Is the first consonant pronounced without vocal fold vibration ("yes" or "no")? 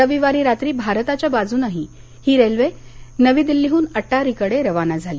no